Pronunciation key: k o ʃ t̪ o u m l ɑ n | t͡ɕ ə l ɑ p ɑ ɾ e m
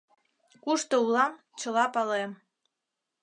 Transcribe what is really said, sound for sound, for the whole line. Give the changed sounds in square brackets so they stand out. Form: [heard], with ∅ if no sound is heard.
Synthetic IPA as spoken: k [u] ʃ t̪ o u [∅] l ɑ [m] | t͡ɕ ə l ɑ p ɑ [l] e m